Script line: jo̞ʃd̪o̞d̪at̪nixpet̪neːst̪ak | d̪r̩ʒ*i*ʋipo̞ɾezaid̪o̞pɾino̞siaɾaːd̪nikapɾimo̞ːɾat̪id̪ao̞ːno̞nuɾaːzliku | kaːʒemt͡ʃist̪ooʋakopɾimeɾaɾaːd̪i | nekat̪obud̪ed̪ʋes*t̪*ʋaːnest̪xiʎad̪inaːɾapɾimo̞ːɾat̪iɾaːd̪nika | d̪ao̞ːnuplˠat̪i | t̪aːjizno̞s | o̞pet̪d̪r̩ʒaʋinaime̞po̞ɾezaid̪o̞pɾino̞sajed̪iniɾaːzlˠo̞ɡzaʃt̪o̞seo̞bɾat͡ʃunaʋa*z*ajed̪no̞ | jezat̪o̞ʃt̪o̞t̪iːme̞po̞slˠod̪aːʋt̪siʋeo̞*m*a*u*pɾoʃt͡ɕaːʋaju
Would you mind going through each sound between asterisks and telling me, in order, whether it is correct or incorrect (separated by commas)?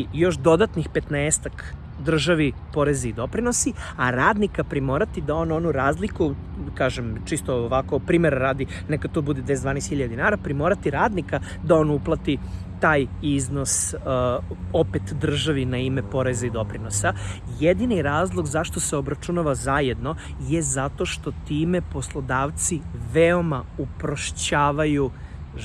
incorrect, incorrect, correct, correct, correct